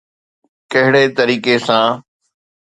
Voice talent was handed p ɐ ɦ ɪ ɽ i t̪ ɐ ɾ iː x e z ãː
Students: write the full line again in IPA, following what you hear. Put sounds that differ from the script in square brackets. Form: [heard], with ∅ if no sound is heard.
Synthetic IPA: [k] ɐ ɦ ɪ ɽ [e] t̪ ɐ ɾ iː [k] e [s] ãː

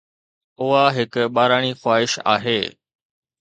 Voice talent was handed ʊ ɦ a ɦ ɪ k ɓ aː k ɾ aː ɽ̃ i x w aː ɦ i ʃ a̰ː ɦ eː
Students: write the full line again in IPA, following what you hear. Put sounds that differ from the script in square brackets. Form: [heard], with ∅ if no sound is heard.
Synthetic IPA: ʊ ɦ a ɦ ɪ k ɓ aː [∅] ɾ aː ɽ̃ i x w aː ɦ [ɪ] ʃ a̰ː ɦ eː

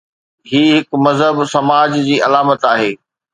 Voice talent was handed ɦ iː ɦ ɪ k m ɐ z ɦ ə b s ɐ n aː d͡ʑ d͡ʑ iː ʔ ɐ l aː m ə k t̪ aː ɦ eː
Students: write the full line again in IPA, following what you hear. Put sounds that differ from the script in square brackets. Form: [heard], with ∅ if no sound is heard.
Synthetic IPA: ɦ iː ɦ ɪ k m ɐ z ɦ ə b s ɐ [m] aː d͡ʑ d͡ʑ iː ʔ ɐ l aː m ə [∅] t̪ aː ɦ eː

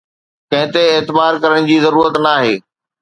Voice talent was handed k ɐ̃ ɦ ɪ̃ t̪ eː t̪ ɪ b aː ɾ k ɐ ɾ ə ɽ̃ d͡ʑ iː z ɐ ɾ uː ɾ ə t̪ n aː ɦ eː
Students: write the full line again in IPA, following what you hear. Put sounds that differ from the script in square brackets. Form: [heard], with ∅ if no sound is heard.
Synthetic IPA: k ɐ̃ ɦ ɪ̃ t̪ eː t̪ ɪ b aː ɾ k ɐ ɾ ə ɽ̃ d͡ʑ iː z ɐ ɾ uː ɾ ə t̪ n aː ɦ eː

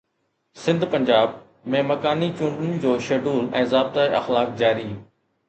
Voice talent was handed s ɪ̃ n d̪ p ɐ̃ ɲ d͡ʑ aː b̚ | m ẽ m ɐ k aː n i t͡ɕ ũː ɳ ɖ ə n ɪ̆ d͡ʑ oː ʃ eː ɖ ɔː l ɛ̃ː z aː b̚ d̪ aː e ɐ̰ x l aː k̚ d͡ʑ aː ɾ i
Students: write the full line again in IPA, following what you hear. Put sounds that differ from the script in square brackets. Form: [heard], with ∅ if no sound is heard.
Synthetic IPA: s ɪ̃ n d̪ p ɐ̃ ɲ d͡ʑ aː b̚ | m ẽ m ɐ k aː n i t͡ɕ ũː ɳ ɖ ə n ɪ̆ d͡ʑ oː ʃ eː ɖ [uː] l ɛ̃ː z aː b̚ [t̪] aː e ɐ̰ x l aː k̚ d͡ʑ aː ɾ i

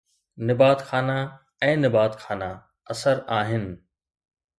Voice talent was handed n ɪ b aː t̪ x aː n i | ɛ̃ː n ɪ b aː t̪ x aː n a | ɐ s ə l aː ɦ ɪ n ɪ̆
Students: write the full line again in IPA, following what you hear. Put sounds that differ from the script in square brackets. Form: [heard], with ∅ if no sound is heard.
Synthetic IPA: n ɪ b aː t̪ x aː n [a] | ɛ̃ː n ɪ b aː t̪ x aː n a | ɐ s ə [ɾ] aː ɦ ɪ n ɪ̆

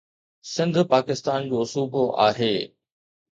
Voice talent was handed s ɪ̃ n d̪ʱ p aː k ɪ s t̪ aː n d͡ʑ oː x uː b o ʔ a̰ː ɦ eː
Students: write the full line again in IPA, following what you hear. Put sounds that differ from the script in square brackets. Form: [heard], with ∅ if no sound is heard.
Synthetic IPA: s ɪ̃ n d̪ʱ p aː k ɪ s t̪ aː n d͡ʑ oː [s] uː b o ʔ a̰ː ɦ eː

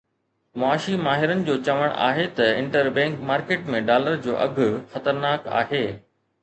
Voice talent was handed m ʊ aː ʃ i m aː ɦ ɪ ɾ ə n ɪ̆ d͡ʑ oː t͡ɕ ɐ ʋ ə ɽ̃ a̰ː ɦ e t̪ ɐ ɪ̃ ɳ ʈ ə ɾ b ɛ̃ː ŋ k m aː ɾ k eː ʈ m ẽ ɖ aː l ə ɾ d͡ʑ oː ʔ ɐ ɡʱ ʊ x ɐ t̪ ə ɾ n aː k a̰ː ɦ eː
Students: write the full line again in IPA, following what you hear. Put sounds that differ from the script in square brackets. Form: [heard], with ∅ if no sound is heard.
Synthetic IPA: m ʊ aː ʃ i m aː ɦ ɪ ɾ ə n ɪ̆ d͡ʑ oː t͡ɕ ɐ ʋ ə ɽ̃ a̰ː ɦ e t̪ ɐ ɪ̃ ɳ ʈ ə ɾ b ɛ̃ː ŋ k m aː ɾ k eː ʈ m ẽ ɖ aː l ə ɾ d͡ʑ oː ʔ ɐ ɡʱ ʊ x ɐ t̪ ə ɾ n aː k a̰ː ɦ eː

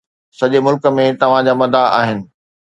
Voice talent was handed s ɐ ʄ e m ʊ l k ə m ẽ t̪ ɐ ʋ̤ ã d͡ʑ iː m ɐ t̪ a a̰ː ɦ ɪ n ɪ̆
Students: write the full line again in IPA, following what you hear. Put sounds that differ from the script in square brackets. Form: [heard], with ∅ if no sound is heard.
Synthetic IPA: s ɐ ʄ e m ʊ l k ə m ẽ t̪ ɐ ʋ̤ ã d͡ʑ [aː] m ɐ [d̪] a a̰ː ɦ ɪ n ɪ̆

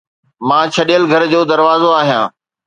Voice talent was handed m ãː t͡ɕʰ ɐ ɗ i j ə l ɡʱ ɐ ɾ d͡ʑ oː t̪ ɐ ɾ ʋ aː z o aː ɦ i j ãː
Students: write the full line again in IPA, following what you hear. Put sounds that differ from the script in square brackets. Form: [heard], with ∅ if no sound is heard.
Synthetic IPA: m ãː t͡ɕʰ ɐ ɗ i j ə l ɡʱ ɐ ɾ d͡ʑ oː [d̪] ɐ ɾ ʋ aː z o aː ɦ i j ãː

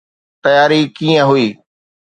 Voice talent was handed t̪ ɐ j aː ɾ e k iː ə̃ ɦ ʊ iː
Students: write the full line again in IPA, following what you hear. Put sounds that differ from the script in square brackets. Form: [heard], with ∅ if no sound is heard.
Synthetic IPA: t̪ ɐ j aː ɾ [i] k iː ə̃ ɦ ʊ iː

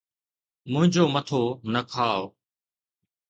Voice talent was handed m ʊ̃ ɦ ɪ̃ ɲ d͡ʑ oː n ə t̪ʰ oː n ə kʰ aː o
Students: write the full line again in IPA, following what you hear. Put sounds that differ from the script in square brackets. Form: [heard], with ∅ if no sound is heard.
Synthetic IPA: m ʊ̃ ɦ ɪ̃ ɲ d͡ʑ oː [m] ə t̪ʰ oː n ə kʰ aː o

